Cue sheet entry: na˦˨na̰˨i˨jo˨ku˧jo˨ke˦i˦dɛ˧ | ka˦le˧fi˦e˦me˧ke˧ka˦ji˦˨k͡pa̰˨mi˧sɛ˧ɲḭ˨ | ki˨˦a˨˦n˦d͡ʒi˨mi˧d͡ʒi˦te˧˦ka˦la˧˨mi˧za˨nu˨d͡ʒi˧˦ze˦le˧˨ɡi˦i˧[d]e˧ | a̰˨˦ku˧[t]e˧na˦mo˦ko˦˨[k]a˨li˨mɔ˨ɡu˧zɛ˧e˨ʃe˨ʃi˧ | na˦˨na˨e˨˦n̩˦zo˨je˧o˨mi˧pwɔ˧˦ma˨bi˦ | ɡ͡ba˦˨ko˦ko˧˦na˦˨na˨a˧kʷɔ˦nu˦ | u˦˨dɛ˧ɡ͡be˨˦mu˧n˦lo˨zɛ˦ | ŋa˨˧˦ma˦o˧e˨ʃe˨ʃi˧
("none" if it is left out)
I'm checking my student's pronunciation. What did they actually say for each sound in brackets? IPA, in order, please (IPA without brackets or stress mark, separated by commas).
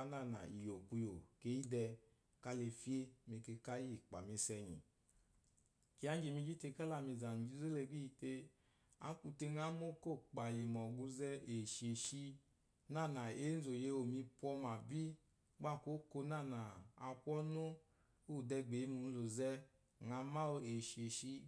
t, t, k͡p